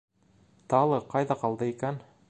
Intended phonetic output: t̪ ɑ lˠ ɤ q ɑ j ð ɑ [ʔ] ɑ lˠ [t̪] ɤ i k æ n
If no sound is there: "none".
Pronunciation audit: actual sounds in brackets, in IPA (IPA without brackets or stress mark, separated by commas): q, d̪